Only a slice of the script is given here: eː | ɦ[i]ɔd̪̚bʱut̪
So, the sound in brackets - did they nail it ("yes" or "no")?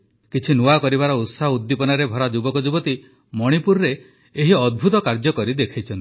yes